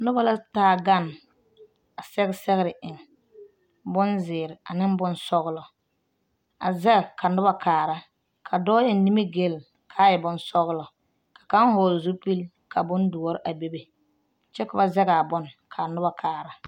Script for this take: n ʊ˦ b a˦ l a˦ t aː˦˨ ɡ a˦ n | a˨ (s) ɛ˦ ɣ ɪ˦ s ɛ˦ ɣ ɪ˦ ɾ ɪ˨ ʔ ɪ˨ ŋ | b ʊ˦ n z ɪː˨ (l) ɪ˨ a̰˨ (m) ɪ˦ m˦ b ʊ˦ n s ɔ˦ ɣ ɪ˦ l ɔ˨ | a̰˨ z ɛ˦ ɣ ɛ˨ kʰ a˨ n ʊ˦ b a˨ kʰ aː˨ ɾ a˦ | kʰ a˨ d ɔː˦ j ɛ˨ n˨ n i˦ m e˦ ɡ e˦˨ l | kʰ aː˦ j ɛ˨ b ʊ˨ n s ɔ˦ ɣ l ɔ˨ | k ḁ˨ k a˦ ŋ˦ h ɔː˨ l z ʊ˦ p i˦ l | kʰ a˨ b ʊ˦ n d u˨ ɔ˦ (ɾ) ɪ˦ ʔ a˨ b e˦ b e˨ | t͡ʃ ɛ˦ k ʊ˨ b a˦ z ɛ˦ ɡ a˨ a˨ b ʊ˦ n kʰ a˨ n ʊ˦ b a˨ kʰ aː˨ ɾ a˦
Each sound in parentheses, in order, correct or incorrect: correct, incorrect, incorrect, correct

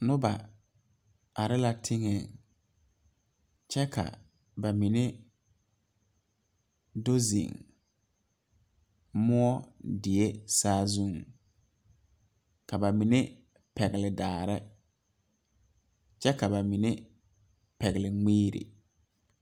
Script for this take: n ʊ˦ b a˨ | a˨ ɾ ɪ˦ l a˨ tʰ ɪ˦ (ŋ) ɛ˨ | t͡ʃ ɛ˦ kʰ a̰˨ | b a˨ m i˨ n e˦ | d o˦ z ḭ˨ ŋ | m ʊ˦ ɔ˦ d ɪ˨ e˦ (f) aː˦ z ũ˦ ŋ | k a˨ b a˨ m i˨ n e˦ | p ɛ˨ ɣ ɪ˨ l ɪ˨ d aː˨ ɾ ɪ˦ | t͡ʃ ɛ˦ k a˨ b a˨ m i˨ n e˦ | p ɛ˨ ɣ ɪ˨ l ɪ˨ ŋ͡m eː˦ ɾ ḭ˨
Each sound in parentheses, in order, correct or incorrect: correct, incorrect

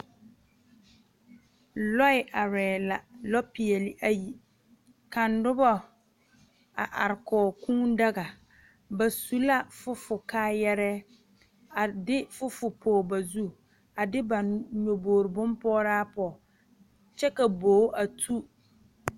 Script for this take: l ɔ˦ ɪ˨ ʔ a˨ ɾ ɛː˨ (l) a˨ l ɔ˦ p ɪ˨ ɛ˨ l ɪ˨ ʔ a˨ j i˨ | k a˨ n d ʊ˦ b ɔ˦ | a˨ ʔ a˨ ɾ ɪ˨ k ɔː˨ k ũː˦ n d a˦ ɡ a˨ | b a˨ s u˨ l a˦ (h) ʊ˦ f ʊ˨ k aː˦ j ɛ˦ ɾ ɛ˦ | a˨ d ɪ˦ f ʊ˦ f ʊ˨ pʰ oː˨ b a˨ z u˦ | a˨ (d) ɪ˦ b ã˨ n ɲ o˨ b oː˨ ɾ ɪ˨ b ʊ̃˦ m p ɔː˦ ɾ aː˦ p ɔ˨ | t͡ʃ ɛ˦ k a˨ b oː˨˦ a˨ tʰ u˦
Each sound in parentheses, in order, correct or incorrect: correct, incorrect, correct

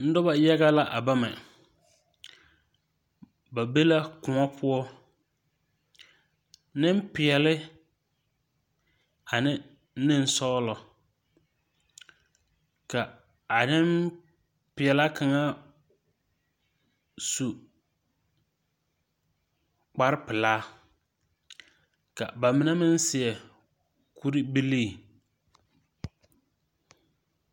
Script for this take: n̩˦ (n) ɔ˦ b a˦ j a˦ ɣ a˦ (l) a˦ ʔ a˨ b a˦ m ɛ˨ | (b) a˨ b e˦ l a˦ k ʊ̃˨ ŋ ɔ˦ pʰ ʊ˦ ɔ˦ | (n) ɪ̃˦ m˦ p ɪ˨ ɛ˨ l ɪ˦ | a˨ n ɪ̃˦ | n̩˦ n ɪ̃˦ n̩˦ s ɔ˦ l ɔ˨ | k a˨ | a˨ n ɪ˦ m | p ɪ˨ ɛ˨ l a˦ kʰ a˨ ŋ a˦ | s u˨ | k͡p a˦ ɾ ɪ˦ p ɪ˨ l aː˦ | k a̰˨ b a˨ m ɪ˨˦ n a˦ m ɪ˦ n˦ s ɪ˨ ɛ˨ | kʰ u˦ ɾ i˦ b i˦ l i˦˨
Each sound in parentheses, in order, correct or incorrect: incorrect, correct, correct, correct

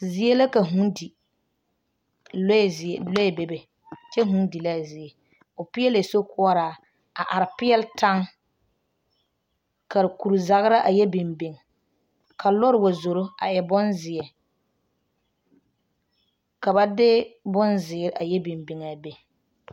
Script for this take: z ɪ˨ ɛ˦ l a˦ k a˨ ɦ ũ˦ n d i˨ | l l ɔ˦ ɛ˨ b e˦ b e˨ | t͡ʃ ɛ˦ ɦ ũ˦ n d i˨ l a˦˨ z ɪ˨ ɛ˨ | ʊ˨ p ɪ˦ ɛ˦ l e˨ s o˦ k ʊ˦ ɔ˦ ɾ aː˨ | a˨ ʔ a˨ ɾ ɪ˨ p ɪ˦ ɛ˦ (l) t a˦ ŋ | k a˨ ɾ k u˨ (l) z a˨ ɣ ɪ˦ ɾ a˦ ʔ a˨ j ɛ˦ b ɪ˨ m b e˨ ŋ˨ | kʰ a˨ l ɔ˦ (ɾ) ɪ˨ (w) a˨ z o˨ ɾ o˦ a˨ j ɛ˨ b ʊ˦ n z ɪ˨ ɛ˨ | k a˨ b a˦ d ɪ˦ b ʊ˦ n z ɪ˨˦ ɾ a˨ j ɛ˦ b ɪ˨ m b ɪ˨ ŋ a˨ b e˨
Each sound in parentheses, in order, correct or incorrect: correct, incorrect, correct, correct

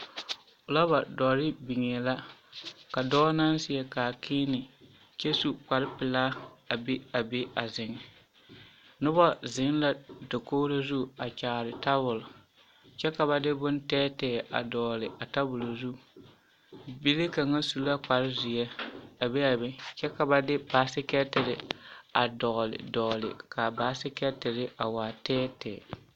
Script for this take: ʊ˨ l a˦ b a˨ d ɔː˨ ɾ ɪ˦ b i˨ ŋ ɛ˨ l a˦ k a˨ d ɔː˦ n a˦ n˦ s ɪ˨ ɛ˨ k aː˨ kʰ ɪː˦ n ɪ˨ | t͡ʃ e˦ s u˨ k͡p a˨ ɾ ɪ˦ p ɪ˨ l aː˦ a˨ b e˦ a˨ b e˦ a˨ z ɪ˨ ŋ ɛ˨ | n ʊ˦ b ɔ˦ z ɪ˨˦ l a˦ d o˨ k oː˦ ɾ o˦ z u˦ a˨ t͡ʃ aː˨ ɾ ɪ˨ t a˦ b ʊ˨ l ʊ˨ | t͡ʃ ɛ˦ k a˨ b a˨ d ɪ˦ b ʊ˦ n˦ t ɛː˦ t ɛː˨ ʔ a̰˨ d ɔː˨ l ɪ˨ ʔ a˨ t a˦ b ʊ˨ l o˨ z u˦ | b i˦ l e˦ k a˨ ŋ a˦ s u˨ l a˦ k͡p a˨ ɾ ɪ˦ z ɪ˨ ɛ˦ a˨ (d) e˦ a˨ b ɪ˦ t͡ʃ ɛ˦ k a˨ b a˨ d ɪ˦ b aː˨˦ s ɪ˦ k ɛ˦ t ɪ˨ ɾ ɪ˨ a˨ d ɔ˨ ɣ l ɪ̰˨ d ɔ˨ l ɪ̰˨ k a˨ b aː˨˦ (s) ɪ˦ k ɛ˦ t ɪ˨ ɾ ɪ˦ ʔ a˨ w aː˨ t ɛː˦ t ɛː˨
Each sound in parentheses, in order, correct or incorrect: incorrect, correct

